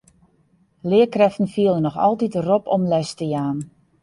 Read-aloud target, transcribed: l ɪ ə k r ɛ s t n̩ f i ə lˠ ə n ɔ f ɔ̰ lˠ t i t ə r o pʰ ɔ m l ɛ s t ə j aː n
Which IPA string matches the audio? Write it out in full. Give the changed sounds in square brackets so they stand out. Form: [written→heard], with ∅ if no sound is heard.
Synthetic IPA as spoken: l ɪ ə k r ɛ [s→f] t n̩ f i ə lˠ ə n ɔ [f→x] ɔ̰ lˠ t i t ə r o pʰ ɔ m l ɛ s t ə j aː n